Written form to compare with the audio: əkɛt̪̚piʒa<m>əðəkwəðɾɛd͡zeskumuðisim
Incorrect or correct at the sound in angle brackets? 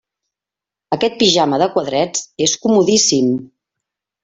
correct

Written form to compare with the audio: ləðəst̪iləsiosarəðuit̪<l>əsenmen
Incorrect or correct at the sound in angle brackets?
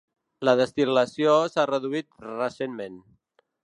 incorrect: r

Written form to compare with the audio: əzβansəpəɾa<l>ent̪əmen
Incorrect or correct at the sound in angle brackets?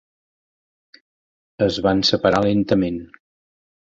correct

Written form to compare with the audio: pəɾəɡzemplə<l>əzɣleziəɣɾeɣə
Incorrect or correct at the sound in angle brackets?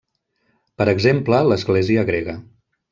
correct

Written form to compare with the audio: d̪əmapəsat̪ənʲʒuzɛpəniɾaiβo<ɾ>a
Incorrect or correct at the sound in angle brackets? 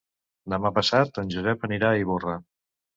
incorrect: r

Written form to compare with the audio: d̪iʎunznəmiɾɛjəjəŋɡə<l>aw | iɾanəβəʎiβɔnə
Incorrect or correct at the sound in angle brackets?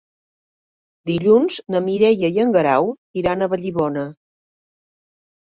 incorrect: ɾ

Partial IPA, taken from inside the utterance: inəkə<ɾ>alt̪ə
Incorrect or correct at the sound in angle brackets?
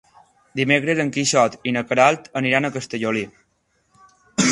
correct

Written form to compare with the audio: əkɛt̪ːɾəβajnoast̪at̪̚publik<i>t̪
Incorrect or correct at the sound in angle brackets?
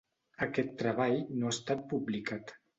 incorrect: a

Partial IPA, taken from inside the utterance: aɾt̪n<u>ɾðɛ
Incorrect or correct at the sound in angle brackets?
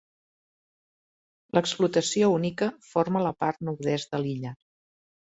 correct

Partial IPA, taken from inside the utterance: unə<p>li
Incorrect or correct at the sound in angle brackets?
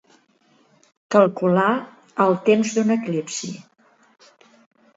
incorrect: k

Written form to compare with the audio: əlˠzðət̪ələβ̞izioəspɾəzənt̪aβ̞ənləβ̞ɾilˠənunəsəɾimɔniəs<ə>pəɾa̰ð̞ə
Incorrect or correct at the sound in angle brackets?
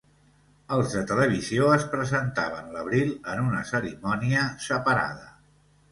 correct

